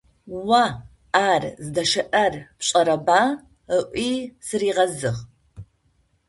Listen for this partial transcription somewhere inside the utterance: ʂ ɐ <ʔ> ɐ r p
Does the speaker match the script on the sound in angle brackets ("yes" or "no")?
yes